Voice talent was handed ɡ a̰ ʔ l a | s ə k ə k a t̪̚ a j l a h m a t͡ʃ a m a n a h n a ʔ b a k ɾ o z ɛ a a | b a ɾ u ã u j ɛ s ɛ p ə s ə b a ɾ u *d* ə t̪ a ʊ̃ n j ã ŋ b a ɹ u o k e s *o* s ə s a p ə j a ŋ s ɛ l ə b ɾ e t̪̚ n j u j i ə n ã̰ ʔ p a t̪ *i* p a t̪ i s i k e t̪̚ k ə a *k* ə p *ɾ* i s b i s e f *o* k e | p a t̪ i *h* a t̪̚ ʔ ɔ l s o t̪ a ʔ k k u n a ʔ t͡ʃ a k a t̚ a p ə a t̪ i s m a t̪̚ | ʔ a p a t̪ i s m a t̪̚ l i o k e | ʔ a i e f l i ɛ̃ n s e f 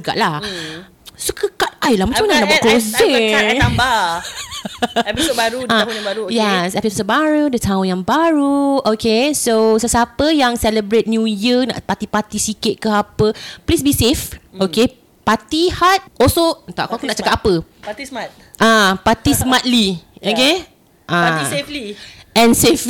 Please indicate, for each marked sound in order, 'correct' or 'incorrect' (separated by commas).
correct, correct, correct, incorrect, incorrect, correct, correct